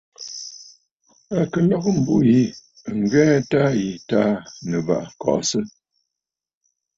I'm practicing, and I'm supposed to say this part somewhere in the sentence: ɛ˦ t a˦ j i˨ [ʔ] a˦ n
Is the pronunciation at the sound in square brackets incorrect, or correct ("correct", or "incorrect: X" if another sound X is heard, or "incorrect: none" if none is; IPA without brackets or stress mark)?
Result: incorrect: t